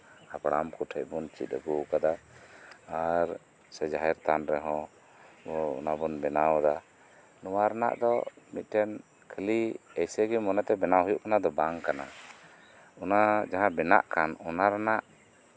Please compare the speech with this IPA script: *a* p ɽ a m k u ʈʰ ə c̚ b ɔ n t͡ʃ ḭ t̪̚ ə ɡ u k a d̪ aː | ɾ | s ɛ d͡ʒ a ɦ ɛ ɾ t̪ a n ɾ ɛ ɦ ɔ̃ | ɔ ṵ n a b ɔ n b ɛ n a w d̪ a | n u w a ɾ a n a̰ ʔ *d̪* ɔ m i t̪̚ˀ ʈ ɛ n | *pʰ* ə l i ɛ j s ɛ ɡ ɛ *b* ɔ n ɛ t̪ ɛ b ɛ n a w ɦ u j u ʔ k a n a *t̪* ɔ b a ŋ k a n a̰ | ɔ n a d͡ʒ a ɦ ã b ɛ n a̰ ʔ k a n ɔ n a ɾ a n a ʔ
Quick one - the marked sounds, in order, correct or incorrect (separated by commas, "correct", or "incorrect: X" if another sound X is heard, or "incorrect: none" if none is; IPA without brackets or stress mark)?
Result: correct, correct, incorrect: kʰ, incorrect: m, incorrect: d̪